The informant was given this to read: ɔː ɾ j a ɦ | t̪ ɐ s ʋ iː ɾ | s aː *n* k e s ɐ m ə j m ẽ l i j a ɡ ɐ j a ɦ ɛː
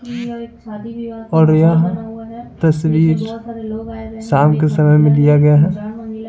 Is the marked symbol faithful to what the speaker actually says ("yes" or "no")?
no